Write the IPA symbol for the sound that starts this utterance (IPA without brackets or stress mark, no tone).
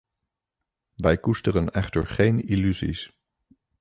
ʋ